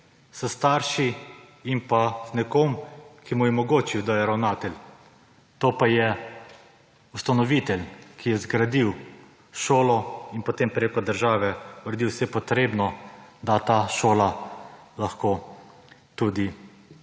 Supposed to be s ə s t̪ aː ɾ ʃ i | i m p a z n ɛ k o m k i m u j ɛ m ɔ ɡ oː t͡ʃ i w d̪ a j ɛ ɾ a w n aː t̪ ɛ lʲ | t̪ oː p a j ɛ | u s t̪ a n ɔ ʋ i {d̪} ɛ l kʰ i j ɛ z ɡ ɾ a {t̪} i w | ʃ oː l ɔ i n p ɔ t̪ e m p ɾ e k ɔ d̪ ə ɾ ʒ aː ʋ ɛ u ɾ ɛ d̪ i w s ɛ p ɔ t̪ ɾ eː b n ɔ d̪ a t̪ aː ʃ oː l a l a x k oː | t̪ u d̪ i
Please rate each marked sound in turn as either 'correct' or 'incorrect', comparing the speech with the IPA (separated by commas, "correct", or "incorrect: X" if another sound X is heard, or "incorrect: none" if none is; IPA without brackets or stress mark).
incorrect: t̪, incorrect: d̪